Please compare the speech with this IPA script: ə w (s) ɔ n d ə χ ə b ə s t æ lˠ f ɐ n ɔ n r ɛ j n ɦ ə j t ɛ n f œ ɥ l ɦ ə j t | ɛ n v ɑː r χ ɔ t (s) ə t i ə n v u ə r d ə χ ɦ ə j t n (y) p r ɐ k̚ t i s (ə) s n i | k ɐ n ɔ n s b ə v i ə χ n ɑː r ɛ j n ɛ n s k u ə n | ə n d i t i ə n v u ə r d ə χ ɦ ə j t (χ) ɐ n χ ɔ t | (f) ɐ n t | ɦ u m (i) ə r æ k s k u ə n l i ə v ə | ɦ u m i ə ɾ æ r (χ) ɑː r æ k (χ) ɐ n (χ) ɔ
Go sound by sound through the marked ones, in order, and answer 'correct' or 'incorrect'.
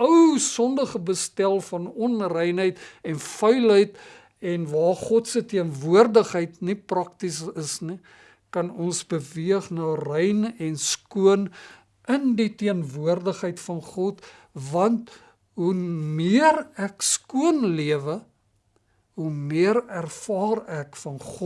correct, correct, incorrect, correct, incorrect, incorrect, correct, incorrect, incorrect, correct

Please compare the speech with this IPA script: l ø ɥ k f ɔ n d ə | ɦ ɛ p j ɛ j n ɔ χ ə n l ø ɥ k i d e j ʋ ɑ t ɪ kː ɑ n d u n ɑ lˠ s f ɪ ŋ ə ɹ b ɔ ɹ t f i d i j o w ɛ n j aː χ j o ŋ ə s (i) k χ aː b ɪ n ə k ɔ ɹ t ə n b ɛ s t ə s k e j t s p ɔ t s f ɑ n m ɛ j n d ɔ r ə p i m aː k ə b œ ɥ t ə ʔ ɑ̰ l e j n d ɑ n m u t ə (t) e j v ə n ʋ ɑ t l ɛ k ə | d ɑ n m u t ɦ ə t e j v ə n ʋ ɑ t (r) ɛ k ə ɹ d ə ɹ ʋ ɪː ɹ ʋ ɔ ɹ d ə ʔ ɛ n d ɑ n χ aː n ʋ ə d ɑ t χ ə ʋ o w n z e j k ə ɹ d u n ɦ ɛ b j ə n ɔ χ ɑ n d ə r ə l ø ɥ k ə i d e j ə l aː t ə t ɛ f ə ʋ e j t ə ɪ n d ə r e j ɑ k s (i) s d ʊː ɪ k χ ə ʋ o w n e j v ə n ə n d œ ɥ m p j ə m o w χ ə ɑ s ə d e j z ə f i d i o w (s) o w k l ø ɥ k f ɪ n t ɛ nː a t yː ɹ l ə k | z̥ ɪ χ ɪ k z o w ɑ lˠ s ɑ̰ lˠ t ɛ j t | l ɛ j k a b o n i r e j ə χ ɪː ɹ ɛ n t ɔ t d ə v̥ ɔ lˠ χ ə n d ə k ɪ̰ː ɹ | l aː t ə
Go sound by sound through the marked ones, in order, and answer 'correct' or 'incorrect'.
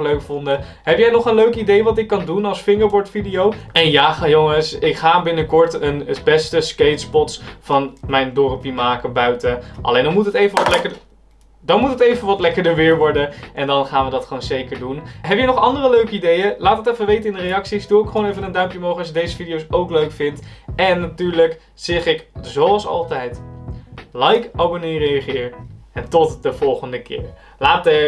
incorrect, correct, incorrect, correct, correct

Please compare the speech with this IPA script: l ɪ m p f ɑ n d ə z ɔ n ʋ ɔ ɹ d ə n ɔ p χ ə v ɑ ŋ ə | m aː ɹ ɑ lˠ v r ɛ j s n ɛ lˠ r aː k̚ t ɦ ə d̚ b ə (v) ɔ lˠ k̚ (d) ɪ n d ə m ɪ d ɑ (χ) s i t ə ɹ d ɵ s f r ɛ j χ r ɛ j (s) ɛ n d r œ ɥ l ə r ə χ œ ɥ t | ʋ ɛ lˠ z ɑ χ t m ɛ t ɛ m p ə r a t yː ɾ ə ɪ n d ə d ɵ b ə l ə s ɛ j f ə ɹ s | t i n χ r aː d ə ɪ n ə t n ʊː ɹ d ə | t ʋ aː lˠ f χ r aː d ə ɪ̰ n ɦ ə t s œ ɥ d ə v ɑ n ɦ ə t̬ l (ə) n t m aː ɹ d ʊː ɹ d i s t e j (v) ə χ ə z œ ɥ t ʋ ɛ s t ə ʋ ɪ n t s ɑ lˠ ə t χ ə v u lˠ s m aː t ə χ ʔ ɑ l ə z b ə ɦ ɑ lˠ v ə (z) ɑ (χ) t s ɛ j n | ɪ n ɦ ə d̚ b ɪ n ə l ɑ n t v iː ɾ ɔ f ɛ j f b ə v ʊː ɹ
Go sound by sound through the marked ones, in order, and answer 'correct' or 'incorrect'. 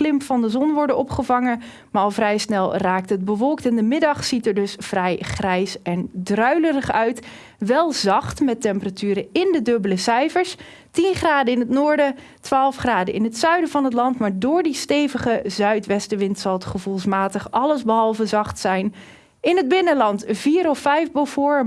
incorrect, incorrect, correct, correct, incorrect, correct, correct, correct

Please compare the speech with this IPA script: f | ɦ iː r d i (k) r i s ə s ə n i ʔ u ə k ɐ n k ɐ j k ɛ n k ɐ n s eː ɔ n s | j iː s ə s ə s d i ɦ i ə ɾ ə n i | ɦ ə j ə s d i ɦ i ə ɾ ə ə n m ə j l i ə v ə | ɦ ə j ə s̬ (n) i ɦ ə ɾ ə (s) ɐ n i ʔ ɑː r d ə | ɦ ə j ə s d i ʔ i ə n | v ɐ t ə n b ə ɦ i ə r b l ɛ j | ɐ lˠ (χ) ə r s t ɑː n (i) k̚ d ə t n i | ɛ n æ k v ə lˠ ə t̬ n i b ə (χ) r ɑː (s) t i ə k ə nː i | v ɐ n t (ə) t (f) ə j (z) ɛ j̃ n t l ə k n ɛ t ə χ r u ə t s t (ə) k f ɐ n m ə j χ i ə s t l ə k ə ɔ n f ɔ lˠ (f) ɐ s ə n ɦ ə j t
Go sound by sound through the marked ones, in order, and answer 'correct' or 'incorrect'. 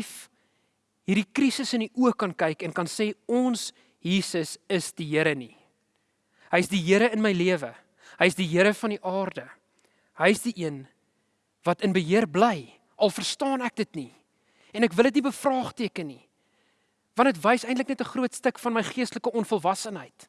correct, incorrect, incorrect, incorrect, incorrect, incorrect, incorrect, correct, incorrect, incorrect, correct, incorrect

